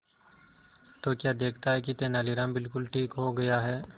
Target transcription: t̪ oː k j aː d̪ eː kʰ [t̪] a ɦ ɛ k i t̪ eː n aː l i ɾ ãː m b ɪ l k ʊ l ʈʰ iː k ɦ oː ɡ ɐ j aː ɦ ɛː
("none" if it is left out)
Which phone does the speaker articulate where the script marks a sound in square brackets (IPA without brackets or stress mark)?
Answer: t̪